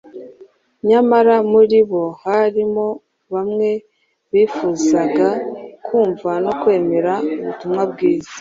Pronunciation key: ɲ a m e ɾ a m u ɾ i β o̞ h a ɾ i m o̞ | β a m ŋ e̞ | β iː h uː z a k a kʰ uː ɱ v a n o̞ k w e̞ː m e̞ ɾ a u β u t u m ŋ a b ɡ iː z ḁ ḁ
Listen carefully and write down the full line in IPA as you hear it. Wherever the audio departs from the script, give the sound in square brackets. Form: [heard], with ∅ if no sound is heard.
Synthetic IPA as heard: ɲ a m [a] ɾ a m u ɾ i β o̞ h a ɾ i m o̞ | β a m ŋ e̞ | β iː [f] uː z a [ɡ] a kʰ uː ɱ v a n o̞ k w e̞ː m e̞ ɾ a u β u t u m ŋ a b ɡ iː z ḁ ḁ